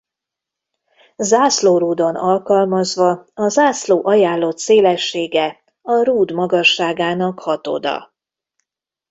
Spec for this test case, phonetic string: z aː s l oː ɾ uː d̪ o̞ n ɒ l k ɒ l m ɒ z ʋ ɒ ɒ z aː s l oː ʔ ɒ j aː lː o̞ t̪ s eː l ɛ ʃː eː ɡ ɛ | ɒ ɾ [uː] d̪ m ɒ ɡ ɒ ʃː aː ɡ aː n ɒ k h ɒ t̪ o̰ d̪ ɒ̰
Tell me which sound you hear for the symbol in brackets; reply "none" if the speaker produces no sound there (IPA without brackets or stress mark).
uː